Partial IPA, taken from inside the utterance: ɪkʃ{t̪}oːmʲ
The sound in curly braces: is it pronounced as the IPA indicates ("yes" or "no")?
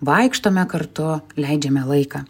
yes